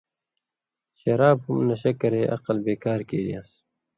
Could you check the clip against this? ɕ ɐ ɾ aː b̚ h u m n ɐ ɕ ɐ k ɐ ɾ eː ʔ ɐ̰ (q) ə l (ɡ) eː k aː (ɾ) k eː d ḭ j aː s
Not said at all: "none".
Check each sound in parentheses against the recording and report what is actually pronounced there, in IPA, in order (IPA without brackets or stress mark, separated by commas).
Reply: q, b, ɾ